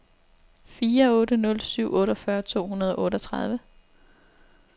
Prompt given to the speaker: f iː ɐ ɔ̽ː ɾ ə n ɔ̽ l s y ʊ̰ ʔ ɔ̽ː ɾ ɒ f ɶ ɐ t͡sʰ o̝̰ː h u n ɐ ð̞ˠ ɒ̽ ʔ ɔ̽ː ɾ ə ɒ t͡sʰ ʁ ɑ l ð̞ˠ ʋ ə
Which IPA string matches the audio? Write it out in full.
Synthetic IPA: f iː ɐ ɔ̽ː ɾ ə n ɔ̽ l s y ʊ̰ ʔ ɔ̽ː ɾ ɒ f ɶ ɐ t͡sʰ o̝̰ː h u n ɐ ð̞ˠ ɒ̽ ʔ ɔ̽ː ɾ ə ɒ t͡sʰ ʁ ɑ ð̞ˠ ʋ ə

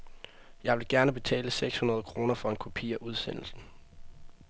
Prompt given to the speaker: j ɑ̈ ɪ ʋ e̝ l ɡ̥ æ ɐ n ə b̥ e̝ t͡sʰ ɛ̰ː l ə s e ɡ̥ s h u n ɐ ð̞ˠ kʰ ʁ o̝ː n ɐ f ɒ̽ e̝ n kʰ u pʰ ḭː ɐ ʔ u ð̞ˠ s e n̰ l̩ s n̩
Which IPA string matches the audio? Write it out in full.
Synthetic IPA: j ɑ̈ ɪ ʋ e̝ l ɡ̥ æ ɐ n ə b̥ e̝ t͡sʰ ɛ̰ː l ə s e ɡ̥ s h u n ɐ ð̞ˠ kʰ ʁ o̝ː n ɐ f ɒ̽ e̝ n kʰ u pʰ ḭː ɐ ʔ u ð̞ˠ s e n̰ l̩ s n̩

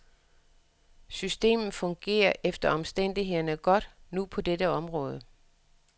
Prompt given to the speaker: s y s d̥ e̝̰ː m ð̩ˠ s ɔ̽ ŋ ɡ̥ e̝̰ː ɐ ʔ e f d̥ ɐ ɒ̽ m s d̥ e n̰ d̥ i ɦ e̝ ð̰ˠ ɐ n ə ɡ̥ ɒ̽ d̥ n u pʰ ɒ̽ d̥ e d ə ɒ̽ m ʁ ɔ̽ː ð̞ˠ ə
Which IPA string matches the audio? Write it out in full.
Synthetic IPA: s y s d̥ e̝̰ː m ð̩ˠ f ɔ̽ ŋ ɡ̥ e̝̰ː ɐ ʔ e f d̥ ɐ ɒ̽ m s d̥ e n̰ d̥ i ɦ e̝ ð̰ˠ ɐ n ə ɡ̥ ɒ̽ d̥ n u pʰ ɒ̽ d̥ e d ə ɒ̽ m ʁ ɔ̽ː ð̞ˠ ə

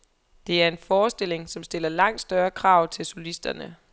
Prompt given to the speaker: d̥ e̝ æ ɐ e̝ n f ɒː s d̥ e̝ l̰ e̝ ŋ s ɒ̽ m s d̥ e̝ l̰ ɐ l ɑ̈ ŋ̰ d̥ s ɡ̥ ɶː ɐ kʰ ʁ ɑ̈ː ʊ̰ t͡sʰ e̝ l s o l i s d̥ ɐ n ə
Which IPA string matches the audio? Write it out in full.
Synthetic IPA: d̥ e̝ æ ɐ e̝ n f ɒː s d̥ e̝ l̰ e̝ ŋ s ɒ̽ m s d̥ e̝ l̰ ɐ l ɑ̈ ŋ̰ d̥ s d̥ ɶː ɐ kʰ ʁ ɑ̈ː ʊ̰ t͡sʰ e̝ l s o l i s d̥ ɐ n ə

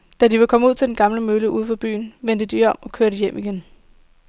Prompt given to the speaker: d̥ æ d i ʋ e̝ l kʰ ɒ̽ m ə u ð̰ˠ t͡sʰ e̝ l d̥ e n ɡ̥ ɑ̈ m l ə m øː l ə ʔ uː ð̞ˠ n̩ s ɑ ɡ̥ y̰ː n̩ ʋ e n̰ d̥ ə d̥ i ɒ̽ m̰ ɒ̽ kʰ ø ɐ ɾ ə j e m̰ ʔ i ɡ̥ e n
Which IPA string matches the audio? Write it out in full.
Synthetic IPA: d̥ æ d i ʋ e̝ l kʰ ɒ̽ m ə u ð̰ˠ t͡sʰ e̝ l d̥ e n ɡ̥ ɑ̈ m l ə m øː l ə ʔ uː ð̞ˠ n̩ f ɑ b̥ y̰ː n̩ ʋ e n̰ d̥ ə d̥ i ɒ̽ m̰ ɒ̽ kʰ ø ɐ ɾ ə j e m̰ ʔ i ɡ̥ e n

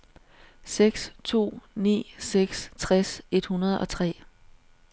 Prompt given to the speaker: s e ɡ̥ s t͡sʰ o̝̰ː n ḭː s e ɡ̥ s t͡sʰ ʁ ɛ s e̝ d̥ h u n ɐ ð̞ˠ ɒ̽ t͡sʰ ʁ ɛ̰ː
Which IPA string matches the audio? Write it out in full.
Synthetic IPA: s e ɡ̥ s t͡sʰ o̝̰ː n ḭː s e ɡ̥ s t͡sʰ ʁ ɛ s e̝ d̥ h u n ɐ ð̞ˠ ɒ̽ t͡sʰ ʁ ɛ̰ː

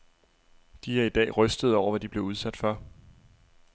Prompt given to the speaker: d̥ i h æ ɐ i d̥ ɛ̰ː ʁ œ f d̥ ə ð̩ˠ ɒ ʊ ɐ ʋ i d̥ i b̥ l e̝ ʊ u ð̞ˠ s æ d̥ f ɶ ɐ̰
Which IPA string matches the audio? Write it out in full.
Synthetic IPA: d̥ i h æ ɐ i d̥ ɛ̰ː ʁ œ s d̥ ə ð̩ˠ ɒ ʊ ɐ ʋ æ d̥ i b̥ l e̝ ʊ u ð̞ˠ s æ d̥ f ɶ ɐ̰

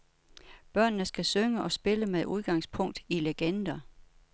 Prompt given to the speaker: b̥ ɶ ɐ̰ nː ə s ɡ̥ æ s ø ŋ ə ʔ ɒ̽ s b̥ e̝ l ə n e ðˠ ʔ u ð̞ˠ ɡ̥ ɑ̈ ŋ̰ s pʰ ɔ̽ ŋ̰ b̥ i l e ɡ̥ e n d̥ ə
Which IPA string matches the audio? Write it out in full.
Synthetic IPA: b̥ ɶ ɐ̰ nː ə s ɡ̥ æ s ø ŋ ə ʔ ɒ̽ s b̥ e̝ l ə m e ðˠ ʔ u ð̞ˠ ɡ̥ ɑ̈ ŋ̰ s pʰ ɔ̽ ŋ̰ d̥ i l e ɡ̥ e n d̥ ɐ

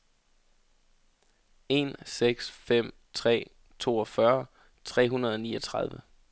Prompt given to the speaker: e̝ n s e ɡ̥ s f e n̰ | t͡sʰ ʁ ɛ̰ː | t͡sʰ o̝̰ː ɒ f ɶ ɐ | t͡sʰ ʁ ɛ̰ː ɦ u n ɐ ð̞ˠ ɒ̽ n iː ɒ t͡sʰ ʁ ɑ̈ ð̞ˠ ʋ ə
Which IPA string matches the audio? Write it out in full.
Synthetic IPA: e̝ n s e ɡ̥ s f e m̰ | t͡sʰ ʁ ɛ̰ː | t͡sʰ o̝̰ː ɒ f ɶ ɐ | t͡sʰ ʁ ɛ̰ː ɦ u n ɐ ð̞ˠ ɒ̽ n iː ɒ t͡sʰ ʁ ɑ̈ ð̞ˠ ʋ ə

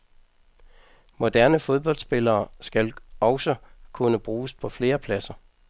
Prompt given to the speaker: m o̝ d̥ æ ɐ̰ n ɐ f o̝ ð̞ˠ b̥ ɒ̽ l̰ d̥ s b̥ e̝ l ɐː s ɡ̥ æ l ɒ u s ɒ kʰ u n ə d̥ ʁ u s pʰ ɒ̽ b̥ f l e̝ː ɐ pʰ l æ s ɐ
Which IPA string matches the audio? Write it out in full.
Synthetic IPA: m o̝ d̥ æ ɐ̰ n ə f o̝ ð̞ˠ b̥ ɒ̽ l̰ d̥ s b̥ e̝ l ɐː s ɡ̥ æ l ɒ ʊ s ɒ kʰ u n ə b̥ ʁ uː s pʰ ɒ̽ f l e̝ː ɐ pʰ l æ s ɐ

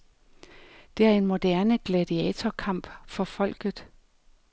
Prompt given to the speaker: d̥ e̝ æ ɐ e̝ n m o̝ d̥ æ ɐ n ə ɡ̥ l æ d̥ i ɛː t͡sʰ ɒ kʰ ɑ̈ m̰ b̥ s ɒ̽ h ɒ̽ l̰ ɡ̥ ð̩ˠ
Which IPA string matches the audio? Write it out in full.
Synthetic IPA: d̥ e̝ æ ɐ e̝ n m o̝ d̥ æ ɐ n ə ɡ̥ l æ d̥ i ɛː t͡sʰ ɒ kʰ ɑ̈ m̰ b̥ f ɒ̽ f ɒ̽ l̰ ɡ̥ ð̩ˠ

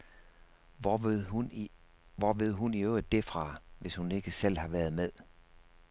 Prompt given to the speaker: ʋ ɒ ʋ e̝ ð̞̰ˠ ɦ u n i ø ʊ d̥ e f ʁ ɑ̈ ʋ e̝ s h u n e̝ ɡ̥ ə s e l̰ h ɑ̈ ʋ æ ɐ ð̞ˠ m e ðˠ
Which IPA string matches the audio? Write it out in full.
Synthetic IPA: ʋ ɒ ʋ e̝ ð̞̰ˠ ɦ u n i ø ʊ d̥ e f ʁ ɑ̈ ʋ e̝ s h u n e̝ ɡ̥ ə s e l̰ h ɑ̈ ʋ æ ɐ ð̞ˠ m e ðˠ

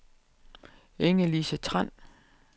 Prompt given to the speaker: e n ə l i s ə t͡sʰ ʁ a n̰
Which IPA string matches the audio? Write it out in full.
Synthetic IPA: e ŋ ə l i s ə t͡sʰ ʁ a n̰

